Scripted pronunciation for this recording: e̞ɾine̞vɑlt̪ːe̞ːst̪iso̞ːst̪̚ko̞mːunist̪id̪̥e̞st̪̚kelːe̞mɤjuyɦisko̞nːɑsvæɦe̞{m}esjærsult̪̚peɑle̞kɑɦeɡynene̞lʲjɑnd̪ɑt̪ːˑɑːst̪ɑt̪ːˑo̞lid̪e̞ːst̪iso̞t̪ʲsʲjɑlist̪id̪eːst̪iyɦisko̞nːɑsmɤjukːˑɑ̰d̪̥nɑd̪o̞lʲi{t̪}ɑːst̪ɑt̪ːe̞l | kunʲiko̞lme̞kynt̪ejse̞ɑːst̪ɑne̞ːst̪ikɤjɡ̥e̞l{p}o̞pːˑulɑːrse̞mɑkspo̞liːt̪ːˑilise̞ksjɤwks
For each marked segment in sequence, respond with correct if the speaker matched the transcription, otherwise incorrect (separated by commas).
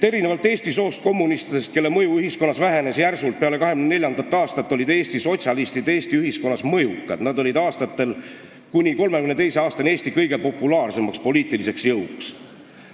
incorrect, incorrect, correct